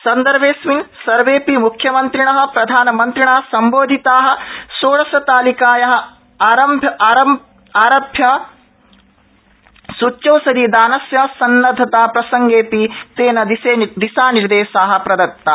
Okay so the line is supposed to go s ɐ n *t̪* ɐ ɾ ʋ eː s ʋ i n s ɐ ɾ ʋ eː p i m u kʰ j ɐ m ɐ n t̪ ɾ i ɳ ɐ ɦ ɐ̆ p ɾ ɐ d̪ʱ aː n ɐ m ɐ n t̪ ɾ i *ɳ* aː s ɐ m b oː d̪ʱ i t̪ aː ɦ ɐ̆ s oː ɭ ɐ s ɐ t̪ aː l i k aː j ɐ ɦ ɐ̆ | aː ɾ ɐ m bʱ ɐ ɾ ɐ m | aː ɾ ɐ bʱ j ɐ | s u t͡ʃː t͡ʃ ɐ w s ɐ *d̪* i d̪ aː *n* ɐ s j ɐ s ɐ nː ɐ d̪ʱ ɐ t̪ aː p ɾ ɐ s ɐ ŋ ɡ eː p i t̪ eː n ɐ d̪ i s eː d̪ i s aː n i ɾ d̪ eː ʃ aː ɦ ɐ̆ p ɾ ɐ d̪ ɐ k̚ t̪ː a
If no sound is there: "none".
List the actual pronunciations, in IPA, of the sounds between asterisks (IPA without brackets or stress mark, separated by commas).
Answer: d̪, ɳ, d̪, n